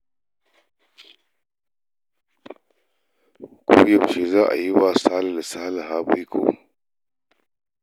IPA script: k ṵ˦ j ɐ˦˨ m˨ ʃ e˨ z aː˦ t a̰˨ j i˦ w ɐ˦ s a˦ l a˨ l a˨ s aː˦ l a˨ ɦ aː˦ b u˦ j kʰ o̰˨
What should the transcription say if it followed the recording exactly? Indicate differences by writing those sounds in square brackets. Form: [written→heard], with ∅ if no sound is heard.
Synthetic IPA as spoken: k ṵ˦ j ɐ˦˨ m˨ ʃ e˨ z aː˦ [t→ʔ] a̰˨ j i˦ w [ɐ˦→a˦] s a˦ l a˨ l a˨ s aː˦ l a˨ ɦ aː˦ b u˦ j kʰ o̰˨